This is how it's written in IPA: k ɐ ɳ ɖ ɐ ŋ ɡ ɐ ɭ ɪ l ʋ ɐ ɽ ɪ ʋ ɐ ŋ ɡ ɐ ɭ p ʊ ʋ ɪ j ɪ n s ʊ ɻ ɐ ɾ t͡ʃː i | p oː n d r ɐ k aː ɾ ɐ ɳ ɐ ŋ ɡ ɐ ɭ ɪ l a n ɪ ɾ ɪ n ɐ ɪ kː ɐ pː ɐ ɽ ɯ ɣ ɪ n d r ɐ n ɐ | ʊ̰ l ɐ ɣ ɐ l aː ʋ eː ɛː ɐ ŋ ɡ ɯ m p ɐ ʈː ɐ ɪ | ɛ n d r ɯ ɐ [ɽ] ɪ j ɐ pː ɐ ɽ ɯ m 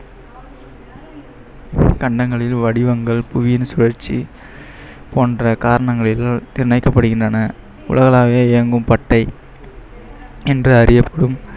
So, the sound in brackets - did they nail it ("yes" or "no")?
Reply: no